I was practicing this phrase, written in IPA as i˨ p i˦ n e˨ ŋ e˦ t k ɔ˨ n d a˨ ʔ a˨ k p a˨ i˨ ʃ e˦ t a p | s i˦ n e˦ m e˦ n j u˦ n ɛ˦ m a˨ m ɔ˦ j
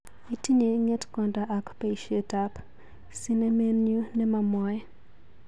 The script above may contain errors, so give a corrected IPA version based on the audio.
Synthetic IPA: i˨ t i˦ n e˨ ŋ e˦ t k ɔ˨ n d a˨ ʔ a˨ k p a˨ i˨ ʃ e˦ t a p | s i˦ n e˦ m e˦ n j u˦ n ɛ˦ m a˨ m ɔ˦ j